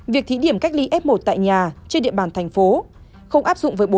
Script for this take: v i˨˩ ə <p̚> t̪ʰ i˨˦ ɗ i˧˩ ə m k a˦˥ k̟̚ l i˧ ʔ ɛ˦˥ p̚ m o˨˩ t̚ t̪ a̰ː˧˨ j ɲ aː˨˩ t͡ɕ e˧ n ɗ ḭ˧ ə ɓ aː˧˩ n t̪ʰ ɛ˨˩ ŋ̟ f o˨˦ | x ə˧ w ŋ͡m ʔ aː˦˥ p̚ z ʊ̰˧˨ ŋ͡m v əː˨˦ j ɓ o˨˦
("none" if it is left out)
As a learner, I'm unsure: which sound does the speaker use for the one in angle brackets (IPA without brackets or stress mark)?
k̚